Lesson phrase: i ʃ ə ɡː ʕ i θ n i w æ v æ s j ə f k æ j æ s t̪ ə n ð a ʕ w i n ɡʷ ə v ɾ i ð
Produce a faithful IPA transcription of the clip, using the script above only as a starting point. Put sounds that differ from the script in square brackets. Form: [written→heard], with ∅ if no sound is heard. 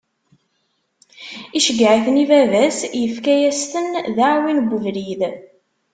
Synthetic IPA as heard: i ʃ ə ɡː ʕ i θ n i [w→v] æ v æ s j ə f k æ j æ s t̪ ə n ð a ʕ w i n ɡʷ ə v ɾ i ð